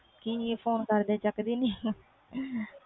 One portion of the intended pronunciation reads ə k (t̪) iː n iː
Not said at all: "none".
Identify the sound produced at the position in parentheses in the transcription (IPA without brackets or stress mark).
d̪